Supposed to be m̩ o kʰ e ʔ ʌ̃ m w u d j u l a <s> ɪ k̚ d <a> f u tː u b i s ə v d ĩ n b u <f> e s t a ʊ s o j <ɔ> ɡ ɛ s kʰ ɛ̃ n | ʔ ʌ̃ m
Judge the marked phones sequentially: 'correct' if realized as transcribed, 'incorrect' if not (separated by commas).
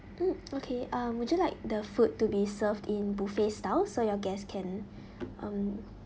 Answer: incorrect, incorrect, correct, correct